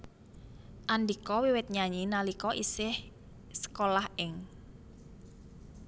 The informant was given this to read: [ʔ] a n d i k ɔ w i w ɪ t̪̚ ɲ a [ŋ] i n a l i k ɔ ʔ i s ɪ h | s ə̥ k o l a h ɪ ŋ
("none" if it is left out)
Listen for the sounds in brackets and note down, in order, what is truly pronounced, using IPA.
ʔ, ɲ

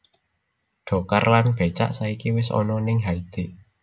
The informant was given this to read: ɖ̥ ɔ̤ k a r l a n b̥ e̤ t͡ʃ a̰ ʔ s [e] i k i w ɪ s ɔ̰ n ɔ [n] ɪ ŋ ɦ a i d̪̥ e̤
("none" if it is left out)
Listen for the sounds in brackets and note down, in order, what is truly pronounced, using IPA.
a, n

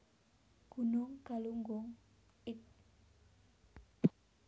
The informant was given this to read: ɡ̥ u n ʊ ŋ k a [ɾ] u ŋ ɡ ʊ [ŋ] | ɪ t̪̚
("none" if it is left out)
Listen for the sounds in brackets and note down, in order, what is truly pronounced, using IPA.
l, ŋ

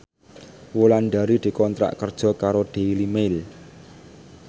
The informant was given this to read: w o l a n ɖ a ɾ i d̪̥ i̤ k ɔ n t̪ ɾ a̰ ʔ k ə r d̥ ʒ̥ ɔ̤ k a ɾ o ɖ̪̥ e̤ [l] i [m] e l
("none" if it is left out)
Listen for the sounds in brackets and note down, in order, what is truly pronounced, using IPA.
l, m

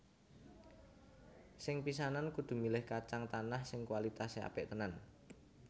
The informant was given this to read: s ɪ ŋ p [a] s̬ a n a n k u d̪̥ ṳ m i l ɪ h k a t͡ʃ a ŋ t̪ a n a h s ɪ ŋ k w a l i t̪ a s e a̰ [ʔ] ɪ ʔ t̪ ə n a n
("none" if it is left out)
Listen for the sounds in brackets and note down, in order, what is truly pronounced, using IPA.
i, p

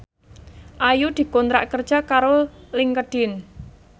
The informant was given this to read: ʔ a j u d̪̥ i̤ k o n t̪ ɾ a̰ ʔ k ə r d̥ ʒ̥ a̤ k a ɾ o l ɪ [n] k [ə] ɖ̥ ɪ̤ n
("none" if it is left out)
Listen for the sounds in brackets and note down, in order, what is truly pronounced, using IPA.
ŋ, ə

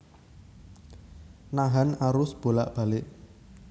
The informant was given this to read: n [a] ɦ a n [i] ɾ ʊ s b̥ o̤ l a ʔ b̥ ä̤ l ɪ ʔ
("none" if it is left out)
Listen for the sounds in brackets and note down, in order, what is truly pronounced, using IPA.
a, a

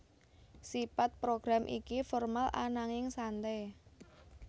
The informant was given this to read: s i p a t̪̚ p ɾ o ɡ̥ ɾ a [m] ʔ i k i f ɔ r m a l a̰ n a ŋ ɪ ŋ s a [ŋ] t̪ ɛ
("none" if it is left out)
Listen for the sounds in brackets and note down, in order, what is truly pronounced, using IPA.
m, n

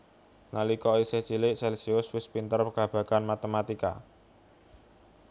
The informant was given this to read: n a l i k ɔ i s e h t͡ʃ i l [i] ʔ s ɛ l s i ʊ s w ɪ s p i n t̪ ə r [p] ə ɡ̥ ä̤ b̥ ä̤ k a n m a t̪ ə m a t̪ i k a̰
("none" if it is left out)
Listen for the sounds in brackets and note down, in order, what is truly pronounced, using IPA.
ɪ, p

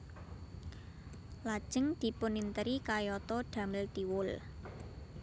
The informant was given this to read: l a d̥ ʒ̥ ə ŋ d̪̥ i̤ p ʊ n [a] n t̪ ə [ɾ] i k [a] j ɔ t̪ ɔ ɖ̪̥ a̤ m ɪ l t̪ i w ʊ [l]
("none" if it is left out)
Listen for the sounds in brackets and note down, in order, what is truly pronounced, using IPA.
i, ɾ, a, l

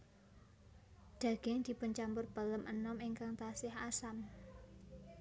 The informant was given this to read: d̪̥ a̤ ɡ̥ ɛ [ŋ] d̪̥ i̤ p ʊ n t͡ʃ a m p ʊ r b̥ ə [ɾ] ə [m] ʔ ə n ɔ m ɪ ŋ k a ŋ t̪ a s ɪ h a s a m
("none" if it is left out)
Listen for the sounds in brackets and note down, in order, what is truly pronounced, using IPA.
ŋ, l, m

